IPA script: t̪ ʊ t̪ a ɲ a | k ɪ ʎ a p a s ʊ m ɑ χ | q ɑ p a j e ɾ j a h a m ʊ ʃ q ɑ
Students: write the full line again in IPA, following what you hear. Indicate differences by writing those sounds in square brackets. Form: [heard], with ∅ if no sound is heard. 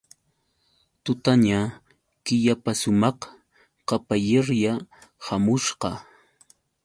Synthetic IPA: t̪ ʊ t̪ a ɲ a | k ɪ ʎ a p a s ʊ m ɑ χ | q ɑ p a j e ɾ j a h a m ʊ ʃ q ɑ